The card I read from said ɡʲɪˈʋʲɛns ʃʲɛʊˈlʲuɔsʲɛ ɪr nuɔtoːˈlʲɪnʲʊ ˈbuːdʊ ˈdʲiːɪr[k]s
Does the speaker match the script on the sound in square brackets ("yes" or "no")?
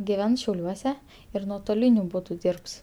no